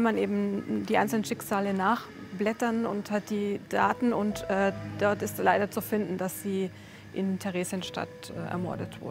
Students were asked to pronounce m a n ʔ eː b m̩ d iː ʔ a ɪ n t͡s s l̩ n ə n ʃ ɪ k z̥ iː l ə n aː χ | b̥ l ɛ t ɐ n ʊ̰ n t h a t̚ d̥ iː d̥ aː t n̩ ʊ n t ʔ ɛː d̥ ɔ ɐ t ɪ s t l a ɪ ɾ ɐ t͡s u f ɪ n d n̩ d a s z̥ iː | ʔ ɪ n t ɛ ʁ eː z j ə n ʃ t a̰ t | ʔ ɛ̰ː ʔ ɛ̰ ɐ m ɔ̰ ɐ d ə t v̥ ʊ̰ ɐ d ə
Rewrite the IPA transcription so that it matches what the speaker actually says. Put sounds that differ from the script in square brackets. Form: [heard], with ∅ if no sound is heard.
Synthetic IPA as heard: m a n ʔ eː b m̩ d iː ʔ a ɪ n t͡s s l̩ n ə n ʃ ɪ k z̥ [aː] l ə n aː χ | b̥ l ɛ t ɐ n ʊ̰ n t h a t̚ d̥ iː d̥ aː t n̩ ʊ n t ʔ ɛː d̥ ɔ ɐ t ɪ s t l a ɪ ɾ ɐ t͡s u f ɪ n d n̩ d a s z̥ iː | ʔ ɪ n [tʰ] ɛ ʁ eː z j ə n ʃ t a̰ t | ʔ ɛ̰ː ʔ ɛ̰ ɐ m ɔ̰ ɐ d ə t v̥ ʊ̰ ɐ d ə